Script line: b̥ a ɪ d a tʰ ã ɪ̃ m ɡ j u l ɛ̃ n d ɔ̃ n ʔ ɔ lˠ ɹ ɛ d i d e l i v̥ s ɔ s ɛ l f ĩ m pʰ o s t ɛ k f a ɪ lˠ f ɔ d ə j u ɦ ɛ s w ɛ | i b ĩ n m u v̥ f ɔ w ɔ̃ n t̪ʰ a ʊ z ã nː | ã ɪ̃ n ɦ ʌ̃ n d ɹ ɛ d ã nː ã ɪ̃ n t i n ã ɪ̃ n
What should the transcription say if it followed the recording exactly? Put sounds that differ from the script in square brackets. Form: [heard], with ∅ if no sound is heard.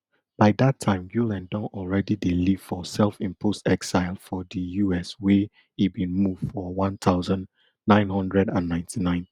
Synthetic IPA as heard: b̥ a ɪ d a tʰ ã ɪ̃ m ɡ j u l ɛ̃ n d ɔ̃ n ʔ ɔ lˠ ɹ ɛ d i d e l i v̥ [f] ɔ s ɛ l f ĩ m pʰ o s t ɛ k [s] a ɪ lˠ f ɔ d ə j u [∅] ɛ s w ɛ | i b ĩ n m u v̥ f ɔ w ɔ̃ n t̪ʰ a ʊ z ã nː | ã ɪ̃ n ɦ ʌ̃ n d ɹ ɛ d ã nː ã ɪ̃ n t i n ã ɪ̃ n